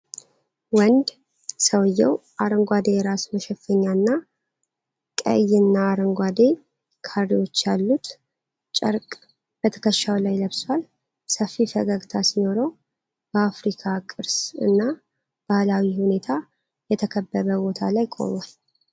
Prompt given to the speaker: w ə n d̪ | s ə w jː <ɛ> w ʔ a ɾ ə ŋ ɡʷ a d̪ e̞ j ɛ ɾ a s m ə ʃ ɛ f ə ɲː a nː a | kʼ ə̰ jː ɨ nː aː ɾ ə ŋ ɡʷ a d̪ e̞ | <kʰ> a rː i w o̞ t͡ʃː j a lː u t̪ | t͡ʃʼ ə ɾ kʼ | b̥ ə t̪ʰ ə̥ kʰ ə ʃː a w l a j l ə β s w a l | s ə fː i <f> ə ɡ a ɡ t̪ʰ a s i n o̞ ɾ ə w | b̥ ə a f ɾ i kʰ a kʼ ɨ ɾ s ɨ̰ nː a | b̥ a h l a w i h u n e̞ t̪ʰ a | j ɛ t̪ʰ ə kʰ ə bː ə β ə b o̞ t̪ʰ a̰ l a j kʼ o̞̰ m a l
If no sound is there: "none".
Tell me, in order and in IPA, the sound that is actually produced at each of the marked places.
ɛ, kʰ, f

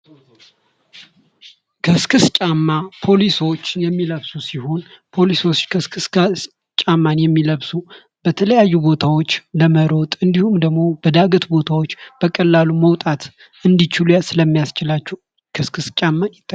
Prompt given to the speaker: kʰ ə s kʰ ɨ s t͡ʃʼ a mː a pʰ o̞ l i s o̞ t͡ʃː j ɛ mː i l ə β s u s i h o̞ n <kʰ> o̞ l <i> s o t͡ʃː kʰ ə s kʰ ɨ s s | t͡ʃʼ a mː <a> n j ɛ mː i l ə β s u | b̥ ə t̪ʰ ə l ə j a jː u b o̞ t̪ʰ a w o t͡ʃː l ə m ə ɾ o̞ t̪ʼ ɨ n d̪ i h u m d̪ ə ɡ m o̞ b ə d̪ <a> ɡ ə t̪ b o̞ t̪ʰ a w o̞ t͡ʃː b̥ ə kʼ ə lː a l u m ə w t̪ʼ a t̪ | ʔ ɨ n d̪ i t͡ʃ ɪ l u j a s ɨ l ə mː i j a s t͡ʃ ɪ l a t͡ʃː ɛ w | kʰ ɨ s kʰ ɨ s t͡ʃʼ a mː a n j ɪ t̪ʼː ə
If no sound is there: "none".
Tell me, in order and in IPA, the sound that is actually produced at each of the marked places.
pʰ, i, a, a

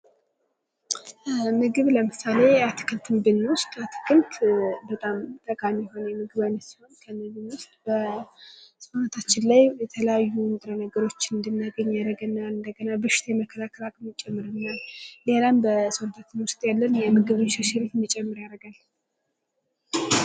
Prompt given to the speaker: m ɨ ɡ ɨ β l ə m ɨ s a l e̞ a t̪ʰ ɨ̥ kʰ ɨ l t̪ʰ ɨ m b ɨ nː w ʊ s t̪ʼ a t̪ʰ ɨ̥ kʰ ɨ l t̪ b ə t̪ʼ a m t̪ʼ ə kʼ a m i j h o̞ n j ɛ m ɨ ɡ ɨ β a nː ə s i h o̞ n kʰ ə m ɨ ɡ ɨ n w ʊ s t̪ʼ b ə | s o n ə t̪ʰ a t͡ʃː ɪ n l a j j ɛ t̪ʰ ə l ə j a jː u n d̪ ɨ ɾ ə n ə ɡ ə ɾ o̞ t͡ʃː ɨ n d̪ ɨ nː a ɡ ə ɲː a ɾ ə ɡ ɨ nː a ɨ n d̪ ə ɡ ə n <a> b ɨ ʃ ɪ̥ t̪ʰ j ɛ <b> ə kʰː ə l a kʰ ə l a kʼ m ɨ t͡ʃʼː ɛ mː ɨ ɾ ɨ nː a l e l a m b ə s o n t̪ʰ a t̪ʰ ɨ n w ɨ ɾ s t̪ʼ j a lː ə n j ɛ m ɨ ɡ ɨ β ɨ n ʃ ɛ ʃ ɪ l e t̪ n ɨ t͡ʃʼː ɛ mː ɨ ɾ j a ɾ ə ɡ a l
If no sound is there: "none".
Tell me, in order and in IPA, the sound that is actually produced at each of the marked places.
a, m

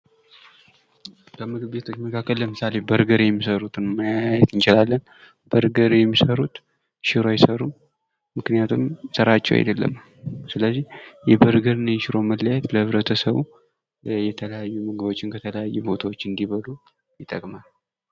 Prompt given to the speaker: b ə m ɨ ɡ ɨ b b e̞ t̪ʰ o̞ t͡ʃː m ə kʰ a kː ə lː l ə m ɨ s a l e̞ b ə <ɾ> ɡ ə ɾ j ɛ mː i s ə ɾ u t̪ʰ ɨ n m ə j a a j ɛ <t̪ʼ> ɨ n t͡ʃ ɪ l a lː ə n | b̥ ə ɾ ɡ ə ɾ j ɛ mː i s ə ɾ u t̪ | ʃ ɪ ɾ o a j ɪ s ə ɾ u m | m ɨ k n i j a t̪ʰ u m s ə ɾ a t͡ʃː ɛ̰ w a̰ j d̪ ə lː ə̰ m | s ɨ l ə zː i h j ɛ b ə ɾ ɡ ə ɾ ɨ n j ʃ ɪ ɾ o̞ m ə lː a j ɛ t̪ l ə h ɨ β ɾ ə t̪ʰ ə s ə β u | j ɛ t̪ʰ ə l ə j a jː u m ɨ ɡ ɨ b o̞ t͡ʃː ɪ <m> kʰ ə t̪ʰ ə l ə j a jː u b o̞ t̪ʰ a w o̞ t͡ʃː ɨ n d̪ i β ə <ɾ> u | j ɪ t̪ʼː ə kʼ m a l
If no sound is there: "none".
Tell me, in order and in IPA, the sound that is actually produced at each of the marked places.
ɾ, t̪, n, l

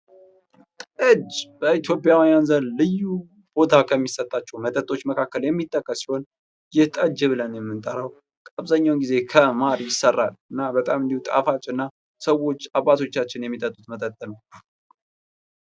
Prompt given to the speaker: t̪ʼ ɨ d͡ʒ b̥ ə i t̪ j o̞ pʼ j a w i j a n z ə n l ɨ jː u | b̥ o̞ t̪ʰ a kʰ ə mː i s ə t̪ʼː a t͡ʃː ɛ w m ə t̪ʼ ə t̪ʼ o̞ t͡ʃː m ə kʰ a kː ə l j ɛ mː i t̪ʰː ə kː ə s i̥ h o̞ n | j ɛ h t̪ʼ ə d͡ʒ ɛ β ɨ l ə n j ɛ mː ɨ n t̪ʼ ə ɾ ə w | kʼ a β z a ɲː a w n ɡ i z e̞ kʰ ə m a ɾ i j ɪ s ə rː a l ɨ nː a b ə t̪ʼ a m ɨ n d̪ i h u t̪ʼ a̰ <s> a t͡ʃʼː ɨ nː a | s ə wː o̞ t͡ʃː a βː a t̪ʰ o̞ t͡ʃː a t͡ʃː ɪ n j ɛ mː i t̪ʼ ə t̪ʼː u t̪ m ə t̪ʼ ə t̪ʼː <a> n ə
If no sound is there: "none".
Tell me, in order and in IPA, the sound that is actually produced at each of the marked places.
f, ə

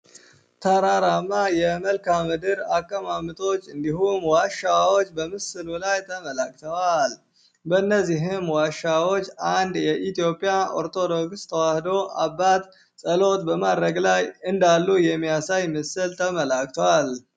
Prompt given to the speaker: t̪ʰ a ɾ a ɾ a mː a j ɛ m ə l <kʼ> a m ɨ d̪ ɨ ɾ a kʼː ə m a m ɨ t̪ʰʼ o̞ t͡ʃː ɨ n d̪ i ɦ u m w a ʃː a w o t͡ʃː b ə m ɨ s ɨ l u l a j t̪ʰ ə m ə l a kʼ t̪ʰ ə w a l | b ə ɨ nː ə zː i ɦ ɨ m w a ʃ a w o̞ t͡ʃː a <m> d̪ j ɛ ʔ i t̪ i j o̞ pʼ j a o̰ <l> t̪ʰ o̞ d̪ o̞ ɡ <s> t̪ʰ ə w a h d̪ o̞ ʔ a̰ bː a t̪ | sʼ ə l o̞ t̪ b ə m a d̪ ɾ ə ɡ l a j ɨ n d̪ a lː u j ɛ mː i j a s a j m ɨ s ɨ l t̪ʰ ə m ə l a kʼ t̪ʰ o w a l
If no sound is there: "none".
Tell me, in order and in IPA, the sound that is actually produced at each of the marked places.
k, n, ɾ, s

